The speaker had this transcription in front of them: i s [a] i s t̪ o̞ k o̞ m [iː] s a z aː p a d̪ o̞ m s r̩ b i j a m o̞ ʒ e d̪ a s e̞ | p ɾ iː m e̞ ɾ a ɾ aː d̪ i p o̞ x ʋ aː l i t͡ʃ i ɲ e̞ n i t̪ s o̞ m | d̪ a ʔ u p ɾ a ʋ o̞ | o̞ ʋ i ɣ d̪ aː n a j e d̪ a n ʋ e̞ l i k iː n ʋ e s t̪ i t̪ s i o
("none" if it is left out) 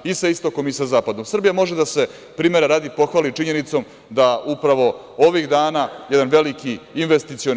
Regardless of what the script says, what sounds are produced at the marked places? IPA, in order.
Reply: a, i

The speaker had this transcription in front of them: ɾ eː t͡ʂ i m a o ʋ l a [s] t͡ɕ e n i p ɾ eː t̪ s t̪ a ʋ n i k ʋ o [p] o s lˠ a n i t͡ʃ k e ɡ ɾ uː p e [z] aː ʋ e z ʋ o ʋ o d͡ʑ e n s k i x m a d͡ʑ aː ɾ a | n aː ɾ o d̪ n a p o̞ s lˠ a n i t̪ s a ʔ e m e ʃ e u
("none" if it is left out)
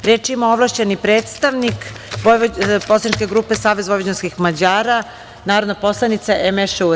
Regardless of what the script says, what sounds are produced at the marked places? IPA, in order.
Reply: ʃ, p, s

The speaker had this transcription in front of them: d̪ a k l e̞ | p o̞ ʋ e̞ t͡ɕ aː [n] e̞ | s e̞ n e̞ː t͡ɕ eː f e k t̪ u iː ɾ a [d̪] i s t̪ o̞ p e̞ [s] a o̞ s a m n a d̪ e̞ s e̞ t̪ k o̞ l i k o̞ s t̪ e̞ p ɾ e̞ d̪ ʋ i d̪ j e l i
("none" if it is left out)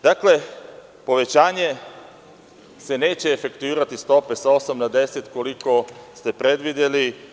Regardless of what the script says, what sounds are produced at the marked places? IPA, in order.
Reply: ɲ, t̪, s

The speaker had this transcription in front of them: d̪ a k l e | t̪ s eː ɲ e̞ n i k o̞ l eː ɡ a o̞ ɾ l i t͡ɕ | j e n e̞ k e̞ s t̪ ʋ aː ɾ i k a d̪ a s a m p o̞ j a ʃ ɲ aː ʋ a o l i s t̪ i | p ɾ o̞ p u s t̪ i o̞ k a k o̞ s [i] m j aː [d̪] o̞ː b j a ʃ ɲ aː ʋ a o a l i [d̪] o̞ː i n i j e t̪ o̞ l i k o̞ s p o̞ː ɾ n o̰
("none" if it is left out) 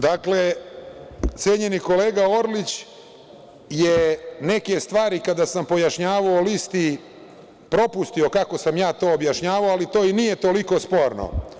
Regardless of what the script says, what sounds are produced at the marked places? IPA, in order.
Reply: a, t̪, t̪

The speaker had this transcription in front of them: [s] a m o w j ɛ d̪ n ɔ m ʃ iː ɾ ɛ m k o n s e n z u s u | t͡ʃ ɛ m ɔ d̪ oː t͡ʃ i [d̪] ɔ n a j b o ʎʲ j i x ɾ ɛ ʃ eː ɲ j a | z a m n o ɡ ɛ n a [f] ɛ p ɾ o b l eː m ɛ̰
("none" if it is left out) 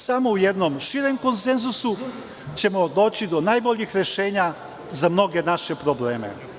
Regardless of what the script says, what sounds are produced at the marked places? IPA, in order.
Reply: s, d̪, ʃ

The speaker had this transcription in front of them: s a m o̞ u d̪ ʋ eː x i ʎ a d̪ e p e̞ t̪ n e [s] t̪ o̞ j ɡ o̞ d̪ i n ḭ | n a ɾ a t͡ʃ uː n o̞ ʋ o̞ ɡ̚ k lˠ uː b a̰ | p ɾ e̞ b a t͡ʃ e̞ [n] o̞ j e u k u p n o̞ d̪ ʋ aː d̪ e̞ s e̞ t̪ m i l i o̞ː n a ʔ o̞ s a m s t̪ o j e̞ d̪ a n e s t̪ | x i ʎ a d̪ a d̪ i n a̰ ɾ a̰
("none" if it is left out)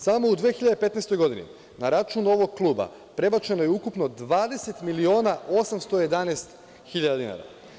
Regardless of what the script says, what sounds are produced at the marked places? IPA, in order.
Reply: s, n

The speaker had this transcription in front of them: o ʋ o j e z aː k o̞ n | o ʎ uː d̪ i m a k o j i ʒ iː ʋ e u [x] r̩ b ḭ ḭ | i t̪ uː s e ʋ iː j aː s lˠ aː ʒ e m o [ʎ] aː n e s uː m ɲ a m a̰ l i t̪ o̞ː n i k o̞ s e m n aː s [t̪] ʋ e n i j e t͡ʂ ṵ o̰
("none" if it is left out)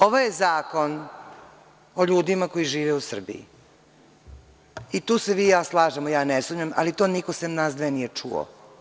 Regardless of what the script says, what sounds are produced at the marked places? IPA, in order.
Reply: s, j, d̪

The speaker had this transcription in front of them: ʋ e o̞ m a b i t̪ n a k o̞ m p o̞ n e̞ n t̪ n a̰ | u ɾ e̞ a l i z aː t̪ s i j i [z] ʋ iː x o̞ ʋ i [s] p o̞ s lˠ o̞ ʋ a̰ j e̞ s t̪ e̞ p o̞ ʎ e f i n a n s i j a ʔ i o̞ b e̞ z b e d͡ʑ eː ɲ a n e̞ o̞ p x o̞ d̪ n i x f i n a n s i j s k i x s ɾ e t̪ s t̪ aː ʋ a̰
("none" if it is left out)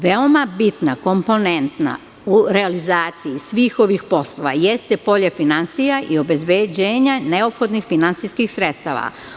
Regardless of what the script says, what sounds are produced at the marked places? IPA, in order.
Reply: s, x

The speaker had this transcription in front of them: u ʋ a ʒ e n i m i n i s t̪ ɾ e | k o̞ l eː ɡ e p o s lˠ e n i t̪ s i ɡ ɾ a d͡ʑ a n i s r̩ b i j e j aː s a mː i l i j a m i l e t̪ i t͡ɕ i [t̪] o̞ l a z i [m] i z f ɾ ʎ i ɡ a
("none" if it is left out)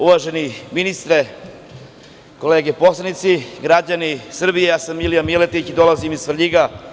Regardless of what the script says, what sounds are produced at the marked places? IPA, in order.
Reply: d̪, m

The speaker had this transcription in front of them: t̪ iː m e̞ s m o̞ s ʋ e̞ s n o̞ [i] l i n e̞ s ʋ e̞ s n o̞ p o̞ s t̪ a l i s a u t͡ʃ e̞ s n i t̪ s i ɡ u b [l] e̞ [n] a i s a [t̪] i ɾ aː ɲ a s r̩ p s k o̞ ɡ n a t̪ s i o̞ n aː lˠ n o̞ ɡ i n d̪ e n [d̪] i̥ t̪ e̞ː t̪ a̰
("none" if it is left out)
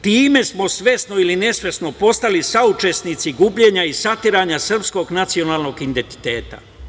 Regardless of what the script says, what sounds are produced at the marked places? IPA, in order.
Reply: i, ʎ, ɲ, t̪, t̪

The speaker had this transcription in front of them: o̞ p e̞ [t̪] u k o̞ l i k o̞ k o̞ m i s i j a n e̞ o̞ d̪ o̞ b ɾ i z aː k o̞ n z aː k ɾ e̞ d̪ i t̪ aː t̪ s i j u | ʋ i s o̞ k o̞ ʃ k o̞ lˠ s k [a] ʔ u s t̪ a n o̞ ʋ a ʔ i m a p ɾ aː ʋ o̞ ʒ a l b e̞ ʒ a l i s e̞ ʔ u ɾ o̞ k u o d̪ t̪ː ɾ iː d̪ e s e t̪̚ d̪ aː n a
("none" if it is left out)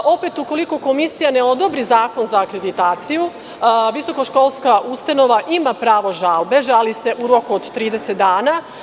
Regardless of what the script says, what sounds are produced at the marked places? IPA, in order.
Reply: t̪, a

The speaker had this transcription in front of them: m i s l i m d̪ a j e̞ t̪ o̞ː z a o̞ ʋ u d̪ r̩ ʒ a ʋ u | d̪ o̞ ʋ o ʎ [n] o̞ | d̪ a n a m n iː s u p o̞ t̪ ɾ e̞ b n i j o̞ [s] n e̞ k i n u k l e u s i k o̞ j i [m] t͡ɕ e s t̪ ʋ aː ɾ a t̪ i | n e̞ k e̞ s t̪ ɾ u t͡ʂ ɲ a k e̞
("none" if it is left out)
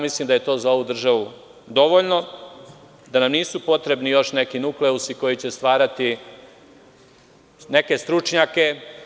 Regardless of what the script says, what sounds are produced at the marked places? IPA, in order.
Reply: n, ʃ, none

